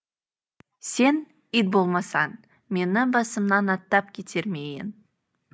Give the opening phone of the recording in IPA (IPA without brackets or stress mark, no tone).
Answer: s